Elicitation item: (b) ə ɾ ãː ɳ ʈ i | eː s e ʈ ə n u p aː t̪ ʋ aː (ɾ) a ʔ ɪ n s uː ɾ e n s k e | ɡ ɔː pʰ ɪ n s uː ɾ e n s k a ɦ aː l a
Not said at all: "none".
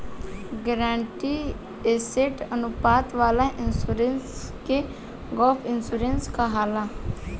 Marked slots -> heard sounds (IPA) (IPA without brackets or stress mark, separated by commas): ɡ, l